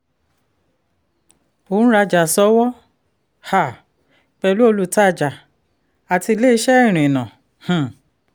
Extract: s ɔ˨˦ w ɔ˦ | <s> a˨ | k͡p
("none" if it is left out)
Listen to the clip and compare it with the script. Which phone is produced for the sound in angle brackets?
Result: h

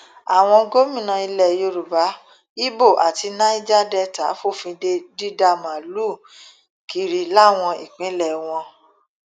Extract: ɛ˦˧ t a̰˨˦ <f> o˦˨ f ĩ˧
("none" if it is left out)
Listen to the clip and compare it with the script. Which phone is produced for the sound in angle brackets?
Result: f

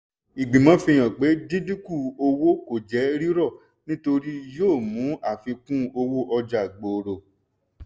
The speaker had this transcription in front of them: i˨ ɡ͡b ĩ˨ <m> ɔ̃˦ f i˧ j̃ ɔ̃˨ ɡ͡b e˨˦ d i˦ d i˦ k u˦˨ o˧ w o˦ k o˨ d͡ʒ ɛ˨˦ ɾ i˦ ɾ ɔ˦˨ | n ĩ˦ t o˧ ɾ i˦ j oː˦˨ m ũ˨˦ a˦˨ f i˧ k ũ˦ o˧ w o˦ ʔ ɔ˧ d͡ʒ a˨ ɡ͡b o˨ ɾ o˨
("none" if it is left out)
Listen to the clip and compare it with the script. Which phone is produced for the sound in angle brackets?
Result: m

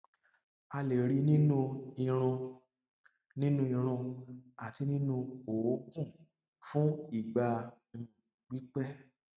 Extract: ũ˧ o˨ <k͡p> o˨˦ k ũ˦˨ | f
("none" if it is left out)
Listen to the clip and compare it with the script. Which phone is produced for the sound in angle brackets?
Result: none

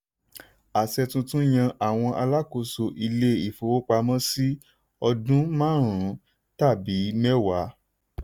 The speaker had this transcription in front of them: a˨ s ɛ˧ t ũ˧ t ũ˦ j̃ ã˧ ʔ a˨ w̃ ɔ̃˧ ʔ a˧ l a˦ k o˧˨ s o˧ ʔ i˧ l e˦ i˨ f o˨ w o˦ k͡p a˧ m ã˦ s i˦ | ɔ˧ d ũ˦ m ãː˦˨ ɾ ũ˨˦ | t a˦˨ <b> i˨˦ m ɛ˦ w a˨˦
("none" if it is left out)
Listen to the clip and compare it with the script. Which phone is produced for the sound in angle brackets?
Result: b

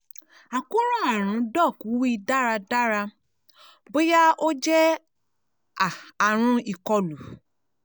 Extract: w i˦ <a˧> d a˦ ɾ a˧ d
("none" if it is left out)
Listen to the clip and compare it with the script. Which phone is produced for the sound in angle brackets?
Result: i˧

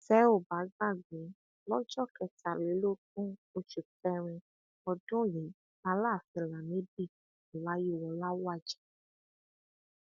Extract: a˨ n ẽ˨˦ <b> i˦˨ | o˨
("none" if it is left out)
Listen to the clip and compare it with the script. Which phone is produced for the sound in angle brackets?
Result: b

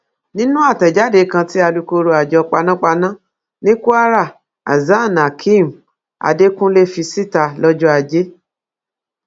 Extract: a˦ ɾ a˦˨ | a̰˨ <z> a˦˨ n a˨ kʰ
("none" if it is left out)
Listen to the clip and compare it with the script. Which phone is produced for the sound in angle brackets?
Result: z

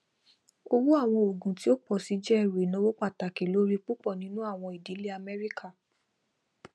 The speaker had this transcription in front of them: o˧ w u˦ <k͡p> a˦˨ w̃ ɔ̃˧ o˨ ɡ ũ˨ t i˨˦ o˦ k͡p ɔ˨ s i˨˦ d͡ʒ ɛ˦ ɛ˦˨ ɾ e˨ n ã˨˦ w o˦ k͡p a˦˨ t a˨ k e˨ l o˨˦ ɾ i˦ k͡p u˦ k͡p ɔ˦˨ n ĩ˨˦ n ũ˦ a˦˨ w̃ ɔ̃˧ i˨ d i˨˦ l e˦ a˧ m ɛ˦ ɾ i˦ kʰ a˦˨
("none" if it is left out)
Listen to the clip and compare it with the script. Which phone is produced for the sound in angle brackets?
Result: none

